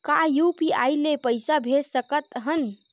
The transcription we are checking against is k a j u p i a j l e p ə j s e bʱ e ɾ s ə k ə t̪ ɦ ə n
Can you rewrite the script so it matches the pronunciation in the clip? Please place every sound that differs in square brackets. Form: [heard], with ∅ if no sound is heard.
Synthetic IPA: k a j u p i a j l e p ə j s [a] bʱ e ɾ s ə k ə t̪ ɦ ə n

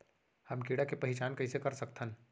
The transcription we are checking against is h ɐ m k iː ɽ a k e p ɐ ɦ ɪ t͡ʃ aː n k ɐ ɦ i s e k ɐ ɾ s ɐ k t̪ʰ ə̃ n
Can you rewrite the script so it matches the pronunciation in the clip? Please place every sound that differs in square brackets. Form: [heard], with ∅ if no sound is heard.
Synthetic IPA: h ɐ m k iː ɽ a k e p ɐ ɦ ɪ t͡ʃ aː n k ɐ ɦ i s e k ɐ ɾ s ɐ k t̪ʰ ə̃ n

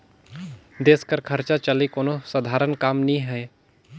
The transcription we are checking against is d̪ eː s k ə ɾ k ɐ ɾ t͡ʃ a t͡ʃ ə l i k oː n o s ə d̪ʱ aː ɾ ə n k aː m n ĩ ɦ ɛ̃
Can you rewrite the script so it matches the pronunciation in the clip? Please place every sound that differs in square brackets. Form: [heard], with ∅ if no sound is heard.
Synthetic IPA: d̪ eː s k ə ɾ [kʰ] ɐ ɾ t͡ʃ a t͡ʃ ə l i k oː n o s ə d̪ʱ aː ɾ ə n k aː m n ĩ ɦ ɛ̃

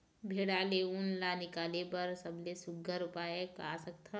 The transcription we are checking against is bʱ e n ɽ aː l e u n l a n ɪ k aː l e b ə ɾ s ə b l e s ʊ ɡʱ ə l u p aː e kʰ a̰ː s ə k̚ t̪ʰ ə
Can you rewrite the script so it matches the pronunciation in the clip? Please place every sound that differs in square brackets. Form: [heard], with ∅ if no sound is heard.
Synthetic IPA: bʱ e [∅] ɽ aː l e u n l a n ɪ k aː l e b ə ɾ s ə b l e s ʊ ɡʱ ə [ɾ] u p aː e [k] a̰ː s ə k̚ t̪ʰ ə

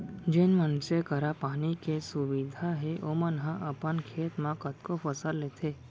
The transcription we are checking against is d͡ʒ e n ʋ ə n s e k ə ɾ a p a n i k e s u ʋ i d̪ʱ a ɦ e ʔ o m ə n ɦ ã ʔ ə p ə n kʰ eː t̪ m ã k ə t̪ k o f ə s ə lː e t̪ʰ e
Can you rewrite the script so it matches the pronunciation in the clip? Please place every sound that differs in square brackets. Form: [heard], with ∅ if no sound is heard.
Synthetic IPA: d͡ʒ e n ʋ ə n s e k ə ɾ a p a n i k e s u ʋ i d̪ʱ a ɦ e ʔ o m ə n ɦ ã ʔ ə p ə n kʰ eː t̪ m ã k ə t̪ k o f ə s ə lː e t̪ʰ e

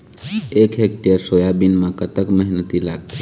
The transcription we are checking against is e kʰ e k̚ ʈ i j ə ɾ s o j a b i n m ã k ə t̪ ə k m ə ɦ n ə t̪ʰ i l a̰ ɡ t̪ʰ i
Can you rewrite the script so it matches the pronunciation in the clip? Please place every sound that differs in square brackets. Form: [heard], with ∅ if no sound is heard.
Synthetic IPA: e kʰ e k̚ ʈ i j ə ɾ s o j a b i n m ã k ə t̪ ə k m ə ɦ n ə [t̪] i l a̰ ɡ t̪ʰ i

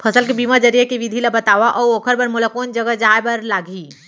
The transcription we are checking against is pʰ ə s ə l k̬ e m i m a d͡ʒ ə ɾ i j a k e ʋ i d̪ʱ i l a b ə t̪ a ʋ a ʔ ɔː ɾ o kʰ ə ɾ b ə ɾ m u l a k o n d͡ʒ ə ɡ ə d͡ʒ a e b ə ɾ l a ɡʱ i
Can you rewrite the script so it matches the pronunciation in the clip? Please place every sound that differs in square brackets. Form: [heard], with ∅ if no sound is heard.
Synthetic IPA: pʰ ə s ə l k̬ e [b] i m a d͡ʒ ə ɾ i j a k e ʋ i d̪ʱ i l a b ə t̪ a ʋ a ʔ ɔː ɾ o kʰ ə ɾ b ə ɾ m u l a k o n d͡ʒ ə ɡ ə d͡ʒ a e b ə ɾ l a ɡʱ i

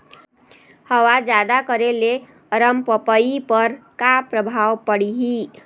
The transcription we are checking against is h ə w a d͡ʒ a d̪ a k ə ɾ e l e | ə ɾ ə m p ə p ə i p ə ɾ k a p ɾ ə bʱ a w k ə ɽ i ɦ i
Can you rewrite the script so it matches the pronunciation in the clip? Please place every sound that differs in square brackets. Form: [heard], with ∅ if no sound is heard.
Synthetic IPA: h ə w a d͡ʒ a d̪ a k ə ɾ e l e | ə ɾ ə m p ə p ə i p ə ɾ k a p ɾ ə bʱ a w [p] ə ɽ i ɦ i

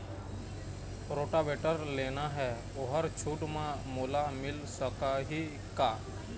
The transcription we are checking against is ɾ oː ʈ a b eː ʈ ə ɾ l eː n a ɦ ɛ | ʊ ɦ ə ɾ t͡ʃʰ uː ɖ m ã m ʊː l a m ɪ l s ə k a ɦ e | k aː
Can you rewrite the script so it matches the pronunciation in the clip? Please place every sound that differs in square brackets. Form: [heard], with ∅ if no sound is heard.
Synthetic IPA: ɾ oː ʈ a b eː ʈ ə ɾ l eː n a ɦ ɛ | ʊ ɦ ə ɾ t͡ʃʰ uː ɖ m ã m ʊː l a m ɪ l s ə k a ɦ [i] | k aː

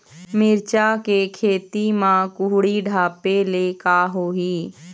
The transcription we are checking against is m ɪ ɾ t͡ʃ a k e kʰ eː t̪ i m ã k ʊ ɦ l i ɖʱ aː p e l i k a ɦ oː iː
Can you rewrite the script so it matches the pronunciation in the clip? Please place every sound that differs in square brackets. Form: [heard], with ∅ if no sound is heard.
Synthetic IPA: m ɪ ɾ t͡ʃ a k e kʰ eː t̪ i m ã k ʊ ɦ [ɽ] i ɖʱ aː p e l [e] k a ɦ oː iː

